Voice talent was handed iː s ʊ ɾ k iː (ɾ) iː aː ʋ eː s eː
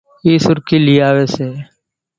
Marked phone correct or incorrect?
incorrect